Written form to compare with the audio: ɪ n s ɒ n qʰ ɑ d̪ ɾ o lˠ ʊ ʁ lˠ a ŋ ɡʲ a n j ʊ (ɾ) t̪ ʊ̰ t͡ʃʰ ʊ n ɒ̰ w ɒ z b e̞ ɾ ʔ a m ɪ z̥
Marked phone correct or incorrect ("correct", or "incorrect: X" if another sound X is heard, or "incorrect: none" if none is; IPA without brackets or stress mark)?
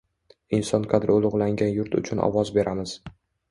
correct